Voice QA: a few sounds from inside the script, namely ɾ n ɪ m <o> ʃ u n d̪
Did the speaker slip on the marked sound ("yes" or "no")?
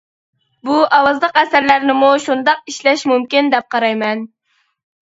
yes